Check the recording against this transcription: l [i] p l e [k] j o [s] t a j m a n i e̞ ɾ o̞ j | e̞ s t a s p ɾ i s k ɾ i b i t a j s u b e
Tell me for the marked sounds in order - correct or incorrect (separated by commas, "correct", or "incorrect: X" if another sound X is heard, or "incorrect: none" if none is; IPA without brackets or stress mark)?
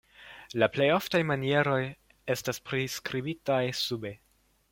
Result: incorrect: a, incorrect: none, incorrect: f